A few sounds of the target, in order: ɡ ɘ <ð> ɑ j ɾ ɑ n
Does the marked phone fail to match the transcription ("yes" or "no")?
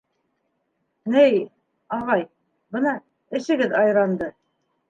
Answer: no